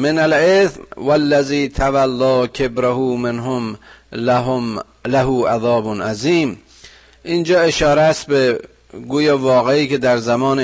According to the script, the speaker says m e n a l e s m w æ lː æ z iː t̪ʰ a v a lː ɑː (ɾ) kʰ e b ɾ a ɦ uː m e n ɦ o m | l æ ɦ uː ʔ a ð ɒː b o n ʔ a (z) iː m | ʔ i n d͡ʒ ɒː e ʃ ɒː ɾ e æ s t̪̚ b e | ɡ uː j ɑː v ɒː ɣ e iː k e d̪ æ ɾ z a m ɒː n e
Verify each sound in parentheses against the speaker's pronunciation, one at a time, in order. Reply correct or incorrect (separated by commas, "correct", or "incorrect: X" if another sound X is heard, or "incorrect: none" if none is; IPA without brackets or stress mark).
incorrect: none, correct